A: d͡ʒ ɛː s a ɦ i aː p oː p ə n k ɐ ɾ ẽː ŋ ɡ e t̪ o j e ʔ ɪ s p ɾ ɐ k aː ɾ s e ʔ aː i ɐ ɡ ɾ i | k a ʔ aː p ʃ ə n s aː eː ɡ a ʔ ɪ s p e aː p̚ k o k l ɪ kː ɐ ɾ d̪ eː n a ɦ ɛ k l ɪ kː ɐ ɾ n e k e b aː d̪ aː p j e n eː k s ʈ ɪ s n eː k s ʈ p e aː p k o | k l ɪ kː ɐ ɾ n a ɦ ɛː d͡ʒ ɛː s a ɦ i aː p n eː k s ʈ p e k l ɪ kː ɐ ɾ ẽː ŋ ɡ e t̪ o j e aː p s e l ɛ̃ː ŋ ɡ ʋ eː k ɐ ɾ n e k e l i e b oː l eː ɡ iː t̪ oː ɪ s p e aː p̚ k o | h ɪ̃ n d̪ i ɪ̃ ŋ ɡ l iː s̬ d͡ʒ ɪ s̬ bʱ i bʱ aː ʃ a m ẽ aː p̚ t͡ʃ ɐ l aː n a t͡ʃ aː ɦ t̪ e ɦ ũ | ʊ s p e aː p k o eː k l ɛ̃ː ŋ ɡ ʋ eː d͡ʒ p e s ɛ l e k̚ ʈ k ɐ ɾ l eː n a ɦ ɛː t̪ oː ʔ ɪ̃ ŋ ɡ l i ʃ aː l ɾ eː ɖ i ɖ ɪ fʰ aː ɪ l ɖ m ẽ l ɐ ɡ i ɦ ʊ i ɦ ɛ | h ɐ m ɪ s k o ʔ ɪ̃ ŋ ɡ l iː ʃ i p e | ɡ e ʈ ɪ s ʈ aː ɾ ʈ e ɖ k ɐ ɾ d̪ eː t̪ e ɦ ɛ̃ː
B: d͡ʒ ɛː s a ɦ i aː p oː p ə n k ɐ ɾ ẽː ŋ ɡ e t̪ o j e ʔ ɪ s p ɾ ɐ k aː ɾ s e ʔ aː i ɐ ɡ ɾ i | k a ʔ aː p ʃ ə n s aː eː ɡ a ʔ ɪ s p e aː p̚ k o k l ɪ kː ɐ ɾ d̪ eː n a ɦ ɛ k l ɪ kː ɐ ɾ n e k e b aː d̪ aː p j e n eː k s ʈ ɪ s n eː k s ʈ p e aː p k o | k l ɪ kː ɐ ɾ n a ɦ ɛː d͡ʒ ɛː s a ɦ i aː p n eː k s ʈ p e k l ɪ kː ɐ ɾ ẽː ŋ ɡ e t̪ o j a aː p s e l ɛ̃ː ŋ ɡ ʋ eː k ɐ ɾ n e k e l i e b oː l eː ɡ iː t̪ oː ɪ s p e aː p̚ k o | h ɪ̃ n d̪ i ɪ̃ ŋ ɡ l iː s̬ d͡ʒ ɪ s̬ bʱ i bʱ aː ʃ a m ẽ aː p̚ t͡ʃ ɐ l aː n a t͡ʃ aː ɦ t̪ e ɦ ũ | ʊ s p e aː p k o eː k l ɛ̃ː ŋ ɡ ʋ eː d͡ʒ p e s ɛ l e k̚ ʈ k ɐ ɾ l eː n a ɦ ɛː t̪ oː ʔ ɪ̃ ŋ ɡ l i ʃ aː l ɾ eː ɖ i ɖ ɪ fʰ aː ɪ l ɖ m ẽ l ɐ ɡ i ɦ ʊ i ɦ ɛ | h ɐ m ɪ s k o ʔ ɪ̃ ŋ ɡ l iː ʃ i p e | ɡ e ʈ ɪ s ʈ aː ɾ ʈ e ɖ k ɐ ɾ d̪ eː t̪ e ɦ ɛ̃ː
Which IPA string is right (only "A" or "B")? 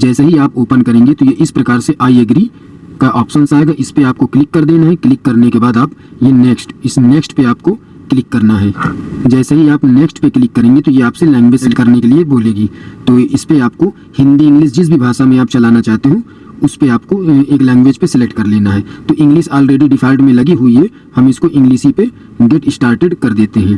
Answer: A